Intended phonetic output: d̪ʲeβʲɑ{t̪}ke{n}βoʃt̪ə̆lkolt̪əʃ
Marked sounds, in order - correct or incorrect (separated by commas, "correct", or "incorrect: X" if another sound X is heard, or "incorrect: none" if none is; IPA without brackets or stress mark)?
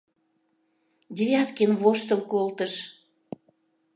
correct, correct